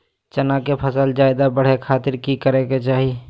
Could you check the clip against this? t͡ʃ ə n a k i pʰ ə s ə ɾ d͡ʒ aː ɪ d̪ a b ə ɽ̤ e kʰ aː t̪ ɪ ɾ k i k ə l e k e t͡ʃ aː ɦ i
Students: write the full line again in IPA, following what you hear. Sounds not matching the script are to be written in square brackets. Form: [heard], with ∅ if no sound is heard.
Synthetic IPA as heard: t͡ʃ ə n a k [e] pʰ ə s ə [l] d͡ʒ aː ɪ d̪ a b ə ɽ̤ e kʰ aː t̪ ɪ ɾ k i k ə [ɾ] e k e t͡ʃ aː ɦ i

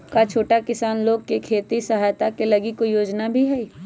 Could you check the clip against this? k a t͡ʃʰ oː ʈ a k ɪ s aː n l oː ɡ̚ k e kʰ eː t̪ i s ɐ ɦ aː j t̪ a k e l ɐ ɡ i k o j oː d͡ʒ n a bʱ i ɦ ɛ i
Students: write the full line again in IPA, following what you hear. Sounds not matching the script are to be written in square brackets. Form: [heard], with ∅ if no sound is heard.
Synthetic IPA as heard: k a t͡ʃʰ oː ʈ a k ɪ s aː n l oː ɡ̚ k e kʰ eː t̪ i s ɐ ɦ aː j t̪ a k e l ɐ ɡ i k o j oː d͡ʒ n a bʱ i ɦ ɛ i

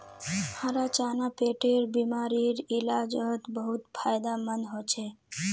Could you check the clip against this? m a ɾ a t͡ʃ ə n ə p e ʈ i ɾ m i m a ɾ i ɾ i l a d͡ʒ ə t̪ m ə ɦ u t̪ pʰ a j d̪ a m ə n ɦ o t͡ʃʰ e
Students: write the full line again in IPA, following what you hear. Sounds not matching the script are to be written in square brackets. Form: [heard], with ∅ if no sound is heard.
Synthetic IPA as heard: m a ɾ a t͡ʃ [a] n [a] p e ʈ [e] ɾ [b] i m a ɾ i ɾ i l a d͡ʒ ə t̪ [b] ə ɦ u t̪ pʰ a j d̪ a m ə n ɦ o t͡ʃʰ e

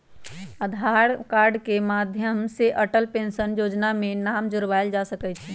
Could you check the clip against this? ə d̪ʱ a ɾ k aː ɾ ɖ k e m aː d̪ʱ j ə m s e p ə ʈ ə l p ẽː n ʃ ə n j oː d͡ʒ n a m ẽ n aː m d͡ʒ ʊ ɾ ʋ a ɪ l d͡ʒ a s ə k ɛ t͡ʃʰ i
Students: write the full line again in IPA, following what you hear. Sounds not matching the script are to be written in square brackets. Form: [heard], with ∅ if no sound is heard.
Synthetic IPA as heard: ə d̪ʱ a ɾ k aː ɾ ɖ k e m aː d̪ʱ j ə m s e [ʔ] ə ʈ ə l p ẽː n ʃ ə n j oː d͡ʒ n a m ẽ n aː m d͡ʒ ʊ ɾ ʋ a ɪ l d͡ʒ a s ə k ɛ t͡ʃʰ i

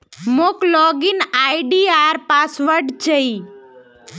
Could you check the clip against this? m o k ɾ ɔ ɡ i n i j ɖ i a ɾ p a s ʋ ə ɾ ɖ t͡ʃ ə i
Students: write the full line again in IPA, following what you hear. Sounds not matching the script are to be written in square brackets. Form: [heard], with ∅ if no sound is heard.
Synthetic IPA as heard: m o k [l] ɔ ɡ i n [a] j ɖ i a ɾ p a s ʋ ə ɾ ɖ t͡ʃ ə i

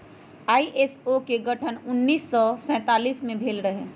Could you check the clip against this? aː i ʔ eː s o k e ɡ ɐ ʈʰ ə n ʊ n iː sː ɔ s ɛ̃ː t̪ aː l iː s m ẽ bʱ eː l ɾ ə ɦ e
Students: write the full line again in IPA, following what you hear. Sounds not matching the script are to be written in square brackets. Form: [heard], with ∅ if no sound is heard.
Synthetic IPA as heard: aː i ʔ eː s o k e ɡ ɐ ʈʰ ə n ʊ [nː] iː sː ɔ s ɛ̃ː t̪ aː l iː s m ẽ bʱ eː l ɾ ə ɦ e

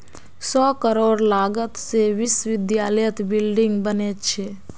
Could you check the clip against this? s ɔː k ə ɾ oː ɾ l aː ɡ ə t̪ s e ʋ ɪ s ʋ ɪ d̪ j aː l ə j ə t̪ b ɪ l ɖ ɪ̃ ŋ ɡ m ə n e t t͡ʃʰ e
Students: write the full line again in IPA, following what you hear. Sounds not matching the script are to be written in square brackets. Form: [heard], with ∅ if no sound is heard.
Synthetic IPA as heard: s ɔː k ə ɾ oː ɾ l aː ɡ ə t̪ s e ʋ ɪ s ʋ ɪ d̪ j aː l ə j ə t̪ b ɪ l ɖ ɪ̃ ŋ ɡ [b] ə n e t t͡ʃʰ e

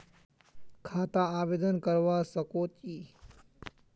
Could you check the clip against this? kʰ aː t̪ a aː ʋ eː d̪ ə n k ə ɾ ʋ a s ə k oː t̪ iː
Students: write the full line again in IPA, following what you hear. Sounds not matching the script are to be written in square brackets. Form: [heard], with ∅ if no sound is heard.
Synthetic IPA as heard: kʰ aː t̪ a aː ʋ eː d̪ ə n k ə ɾ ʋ a s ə k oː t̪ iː

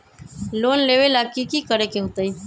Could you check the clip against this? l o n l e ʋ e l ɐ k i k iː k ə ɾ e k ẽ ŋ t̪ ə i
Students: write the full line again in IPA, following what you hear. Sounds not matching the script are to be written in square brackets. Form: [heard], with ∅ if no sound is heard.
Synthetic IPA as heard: l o n l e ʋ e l [a] k i k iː k ə ɾ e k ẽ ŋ t̪ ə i

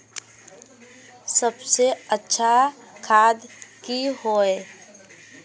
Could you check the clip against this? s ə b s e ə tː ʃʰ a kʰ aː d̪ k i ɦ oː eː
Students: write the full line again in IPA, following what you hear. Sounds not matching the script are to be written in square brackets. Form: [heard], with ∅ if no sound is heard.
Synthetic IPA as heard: s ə b s e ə tː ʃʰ a kʰ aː d̪ k i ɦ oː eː

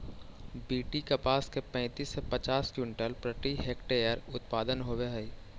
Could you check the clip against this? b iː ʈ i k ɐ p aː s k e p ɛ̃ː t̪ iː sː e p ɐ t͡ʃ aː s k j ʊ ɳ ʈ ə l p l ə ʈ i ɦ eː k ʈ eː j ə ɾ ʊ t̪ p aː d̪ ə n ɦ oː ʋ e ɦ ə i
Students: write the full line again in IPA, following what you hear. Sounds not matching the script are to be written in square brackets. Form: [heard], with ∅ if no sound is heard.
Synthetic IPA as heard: b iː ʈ i k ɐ p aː s k e p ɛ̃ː t̪ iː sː e p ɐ t͡ʃ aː s k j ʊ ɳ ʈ ə l p [ɾ] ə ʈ i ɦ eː k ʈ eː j ə ɾ ʊ t̪ p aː d̪ ə n ɦ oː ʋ e ɦ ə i

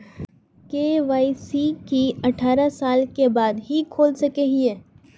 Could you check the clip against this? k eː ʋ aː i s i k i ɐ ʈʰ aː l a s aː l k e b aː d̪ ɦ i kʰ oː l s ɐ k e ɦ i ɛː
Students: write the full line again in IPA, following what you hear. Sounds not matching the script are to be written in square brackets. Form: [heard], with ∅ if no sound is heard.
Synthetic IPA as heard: k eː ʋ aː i s i k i ɐ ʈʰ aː [ɾ] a s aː l k e b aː d̪ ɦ i kʰ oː l s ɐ k e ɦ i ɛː

